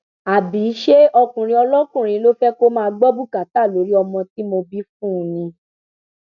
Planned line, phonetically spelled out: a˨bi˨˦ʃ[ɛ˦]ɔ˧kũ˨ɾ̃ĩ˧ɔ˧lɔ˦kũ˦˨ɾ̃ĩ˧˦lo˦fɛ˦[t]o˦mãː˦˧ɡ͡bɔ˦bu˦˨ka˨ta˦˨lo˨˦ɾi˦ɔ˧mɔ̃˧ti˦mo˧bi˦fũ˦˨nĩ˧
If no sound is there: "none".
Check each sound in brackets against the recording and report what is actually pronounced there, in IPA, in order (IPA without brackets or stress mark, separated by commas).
e˦, k